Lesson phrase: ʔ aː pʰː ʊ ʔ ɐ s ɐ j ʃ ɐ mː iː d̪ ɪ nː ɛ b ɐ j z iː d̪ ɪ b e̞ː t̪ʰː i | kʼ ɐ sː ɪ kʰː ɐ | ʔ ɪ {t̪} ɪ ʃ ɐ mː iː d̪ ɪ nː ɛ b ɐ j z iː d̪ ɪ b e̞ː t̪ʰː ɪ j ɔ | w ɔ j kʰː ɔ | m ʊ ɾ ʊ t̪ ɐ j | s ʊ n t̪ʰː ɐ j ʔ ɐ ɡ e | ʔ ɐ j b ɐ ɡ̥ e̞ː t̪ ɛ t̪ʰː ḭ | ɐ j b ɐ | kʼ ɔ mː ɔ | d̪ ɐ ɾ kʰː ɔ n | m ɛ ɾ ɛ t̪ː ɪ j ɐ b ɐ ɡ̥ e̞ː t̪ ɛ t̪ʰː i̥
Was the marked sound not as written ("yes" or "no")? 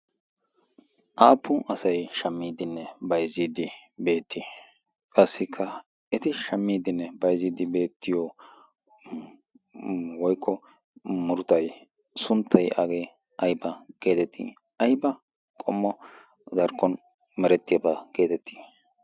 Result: no